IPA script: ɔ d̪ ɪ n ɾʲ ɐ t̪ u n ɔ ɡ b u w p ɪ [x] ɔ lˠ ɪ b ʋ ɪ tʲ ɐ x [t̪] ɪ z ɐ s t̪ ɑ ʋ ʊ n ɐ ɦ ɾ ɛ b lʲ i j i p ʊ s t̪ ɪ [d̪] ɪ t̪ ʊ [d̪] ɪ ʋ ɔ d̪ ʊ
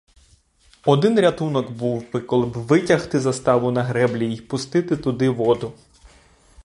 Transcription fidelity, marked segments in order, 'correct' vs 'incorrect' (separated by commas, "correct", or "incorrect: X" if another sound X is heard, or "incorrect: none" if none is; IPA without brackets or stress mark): incorrect: k, correct, incorrect: t̪, correct